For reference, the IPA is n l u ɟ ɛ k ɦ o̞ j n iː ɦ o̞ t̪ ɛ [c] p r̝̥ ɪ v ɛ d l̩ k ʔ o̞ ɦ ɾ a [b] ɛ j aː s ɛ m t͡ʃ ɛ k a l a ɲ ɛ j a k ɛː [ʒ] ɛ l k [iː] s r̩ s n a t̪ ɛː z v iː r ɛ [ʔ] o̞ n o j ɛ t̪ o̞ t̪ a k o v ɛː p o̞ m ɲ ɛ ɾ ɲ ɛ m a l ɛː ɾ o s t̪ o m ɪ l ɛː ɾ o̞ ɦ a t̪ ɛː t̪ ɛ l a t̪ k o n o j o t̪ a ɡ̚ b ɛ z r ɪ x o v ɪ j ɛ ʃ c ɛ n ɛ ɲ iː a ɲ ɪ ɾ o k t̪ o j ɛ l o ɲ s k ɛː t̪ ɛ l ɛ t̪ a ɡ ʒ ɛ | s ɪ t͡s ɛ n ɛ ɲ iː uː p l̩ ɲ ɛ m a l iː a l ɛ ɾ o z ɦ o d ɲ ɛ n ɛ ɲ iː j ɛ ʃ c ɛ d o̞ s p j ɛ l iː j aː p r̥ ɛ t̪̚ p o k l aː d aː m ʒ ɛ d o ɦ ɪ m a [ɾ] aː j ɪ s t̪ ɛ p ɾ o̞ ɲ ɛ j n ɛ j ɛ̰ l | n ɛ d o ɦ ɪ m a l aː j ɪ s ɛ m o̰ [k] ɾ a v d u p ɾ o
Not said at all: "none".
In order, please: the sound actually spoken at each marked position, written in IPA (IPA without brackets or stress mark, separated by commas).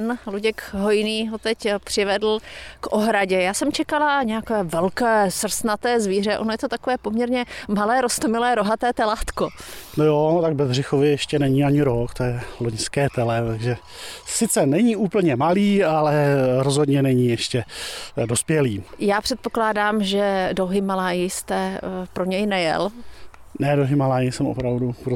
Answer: c, ɟ, v, ɛː, ʔ, l, p